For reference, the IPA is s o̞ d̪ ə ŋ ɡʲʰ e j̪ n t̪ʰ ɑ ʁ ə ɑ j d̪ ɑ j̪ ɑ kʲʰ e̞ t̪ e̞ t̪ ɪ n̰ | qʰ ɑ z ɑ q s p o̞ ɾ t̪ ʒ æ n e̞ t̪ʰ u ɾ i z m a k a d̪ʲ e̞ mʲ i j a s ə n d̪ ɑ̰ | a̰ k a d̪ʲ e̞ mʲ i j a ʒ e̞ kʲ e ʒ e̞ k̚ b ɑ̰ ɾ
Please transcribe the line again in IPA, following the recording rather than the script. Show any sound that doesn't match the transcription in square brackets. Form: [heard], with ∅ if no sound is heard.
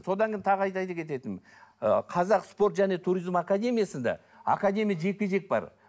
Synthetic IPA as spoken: s o̞ d̪ [ɑ] ŋ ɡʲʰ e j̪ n t̪ʰ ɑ ʁ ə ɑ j [t̪] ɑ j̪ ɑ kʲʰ e̞ t̪ e̞ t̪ ɪ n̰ | qʰ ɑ z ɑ q s p o̞ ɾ t̪ ʒ æ n e̞ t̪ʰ u ɾ i z m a k a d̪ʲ e̞ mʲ i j a s ə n d̪ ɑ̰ | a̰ k a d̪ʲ e̞ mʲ i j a ʒ e̞ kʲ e ʒ e̞ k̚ b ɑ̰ ɾ

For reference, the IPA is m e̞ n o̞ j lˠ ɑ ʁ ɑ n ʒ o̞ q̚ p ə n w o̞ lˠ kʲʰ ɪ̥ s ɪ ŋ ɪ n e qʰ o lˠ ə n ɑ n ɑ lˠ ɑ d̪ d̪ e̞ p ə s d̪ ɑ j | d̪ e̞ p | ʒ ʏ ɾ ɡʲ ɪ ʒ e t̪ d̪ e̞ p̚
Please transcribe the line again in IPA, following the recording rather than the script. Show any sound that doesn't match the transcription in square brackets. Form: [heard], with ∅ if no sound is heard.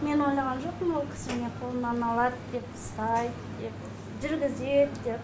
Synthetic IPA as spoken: m e̞ n o̞ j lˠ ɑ ʁ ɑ n ʒ o̞ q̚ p ə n w o̞ lˠ kʲʰ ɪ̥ s ɪ [m] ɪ n e qʰ o lˠ ə n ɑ n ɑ lˠ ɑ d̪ d̪ e̞ p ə s [t̪] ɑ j | d̪ e̞ p | ʒ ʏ ɾ ɡʲ ɪ [z] e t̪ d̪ e̞ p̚

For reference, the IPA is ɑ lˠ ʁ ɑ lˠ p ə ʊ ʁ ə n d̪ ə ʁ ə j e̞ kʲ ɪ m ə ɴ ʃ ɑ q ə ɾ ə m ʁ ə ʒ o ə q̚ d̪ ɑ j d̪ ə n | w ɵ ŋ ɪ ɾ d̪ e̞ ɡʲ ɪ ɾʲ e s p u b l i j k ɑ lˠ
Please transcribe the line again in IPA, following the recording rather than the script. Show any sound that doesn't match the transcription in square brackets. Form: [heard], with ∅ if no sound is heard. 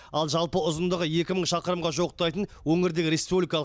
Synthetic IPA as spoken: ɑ lˠ [ʒ] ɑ lˠ p ə ʊ [z] ə n d̪ ə ʁ ə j e̞ kʲ ɪ m ə ɴ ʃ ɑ q ə ɾ ə m ʁ [ɑ] ʒ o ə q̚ [t̪] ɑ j [t̪] ə n | w ɵ ŋ ɪ ɾ d̪ e̞ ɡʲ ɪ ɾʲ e s p u b l i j k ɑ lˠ

